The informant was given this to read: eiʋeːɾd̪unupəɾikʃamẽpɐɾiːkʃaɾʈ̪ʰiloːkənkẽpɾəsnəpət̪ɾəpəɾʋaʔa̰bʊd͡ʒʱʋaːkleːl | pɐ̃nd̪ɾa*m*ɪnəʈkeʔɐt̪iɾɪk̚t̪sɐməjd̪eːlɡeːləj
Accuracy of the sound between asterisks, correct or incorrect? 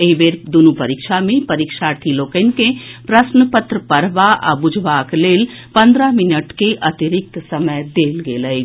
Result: correct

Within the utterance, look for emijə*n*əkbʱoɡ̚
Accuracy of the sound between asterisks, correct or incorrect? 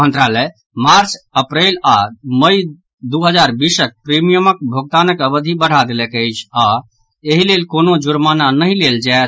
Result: incorrect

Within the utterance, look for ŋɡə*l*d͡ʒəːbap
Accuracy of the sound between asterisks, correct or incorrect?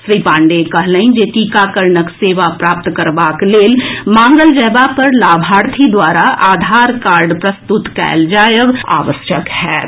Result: correct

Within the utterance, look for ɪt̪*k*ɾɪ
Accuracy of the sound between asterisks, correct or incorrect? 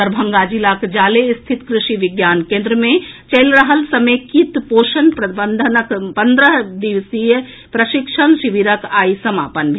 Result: correct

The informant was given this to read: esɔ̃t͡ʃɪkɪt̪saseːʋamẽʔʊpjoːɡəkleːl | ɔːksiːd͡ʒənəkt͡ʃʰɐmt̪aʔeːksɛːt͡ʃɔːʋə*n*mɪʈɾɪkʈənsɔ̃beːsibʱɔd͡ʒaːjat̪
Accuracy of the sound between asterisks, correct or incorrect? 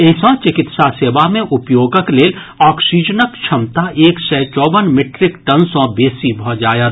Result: correct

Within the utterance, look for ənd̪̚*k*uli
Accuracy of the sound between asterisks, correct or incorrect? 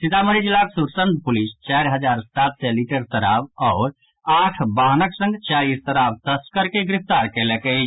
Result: incorrect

